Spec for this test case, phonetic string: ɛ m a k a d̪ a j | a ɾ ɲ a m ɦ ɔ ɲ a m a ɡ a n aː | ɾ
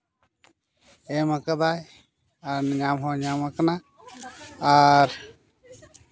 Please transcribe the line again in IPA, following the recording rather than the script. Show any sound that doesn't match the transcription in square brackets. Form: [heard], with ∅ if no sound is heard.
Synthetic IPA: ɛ m a k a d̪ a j | a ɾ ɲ a m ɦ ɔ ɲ a m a [k] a n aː | ɾ